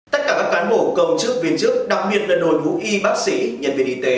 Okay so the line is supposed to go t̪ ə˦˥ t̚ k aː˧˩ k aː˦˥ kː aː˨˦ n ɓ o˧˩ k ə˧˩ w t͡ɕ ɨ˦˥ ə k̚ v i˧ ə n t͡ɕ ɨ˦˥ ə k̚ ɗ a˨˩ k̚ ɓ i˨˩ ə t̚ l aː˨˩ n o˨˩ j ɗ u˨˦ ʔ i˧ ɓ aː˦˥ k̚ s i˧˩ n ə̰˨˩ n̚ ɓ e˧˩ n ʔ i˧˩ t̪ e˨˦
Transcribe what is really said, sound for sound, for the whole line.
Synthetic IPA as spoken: t̪ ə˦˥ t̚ k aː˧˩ k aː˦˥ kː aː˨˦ n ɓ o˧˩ k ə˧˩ w t͡ɕ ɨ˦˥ ə k̚ v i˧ ə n t͡ɕ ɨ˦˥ ə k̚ ɗ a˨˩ k̚ ɓ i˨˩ ə t̚ l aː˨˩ n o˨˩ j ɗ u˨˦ ʔ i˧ ɓ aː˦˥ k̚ s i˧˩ ɲ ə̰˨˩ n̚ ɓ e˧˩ n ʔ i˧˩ t̪ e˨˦